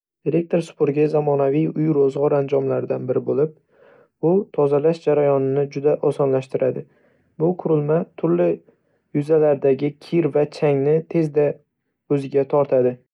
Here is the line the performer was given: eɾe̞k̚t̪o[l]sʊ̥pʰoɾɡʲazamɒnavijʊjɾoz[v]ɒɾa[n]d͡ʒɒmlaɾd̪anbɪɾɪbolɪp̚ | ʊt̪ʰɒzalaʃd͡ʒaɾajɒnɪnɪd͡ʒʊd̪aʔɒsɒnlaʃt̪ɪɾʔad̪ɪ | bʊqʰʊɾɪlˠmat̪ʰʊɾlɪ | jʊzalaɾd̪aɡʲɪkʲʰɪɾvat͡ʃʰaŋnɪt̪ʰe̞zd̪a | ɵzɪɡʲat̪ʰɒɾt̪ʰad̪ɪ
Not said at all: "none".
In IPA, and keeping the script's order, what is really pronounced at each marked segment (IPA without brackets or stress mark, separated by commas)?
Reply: ɾ, ʁ, n